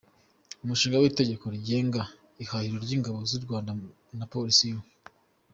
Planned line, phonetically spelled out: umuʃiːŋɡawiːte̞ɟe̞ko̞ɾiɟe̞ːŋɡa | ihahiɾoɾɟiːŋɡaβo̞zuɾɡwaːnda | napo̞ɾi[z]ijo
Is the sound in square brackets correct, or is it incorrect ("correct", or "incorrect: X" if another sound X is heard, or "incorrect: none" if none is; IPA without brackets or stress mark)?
incorrect: s